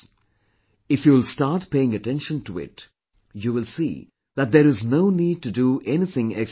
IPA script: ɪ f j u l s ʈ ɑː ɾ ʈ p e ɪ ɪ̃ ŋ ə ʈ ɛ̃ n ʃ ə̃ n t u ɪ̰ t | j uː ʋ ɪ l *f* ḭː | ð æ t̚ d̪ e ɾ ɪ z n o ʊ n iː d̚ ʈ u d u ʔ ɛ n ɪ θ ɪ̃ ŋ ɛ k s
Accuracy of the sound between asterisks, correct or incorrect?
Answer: incorrect: s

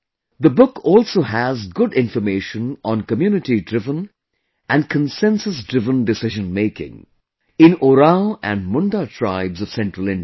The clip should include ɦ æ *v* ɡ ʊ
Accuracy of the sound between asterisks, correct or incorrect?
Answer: incorrect: z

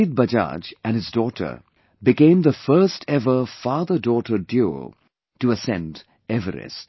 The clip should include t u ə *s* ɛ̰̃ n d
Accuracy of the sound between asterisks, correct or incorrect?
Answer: correct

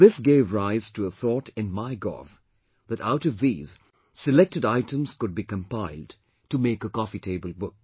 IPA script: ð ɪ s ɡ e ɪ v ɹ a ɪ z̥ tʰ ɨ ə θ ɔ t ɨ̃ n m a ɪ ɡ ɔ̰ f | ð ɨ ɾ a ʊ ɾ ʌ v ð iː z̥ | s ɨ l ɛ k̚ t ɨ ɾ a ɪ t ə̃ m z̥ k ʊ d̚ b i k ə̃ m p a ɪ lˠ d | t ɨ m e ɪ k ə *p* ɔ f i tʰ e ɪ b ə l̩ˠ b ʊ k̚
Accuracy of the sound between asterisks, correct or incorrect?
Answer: incorrect: k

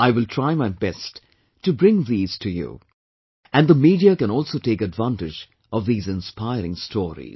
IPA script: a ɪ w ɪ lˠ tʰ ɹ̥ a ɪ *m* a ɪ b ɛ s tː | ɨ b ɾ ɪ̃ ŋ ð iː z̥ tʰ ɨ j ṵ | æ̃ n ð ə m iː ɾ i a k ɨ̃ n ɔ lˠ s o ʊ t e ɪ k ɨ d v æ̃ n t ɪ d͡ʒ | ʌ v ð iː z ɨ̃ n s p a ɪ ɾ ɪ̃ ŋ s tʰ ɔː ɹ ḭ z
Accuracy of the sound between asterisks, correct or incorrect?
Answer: correct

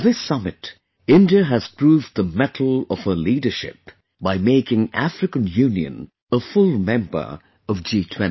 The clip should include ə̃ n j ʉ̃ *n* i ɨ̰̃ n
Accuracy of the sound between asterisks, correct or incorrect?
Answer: correct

